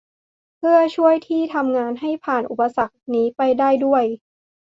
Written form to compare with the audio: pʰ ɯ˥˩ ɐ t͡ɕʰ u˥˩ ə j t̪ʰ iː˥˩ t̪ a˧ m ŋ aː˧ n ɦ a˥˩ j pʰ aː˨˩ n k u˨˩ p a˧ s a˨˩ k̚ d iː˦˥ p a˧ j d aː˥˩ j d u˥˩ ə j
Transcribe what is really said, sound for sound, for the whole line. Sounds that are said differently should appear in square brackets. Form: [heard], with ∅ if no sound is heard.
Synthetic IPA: pʰ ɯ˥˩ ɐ t͡ɕʰ u˥˩ ə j t̪ʰ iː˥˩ [t̪ʰ] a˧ m ŋ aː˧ n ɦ a˥˩ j pʰ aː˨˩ n [ʔ] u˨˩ p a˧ s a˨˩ k̚ [n] iː˦˥ p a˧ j d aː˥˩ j d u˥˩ ə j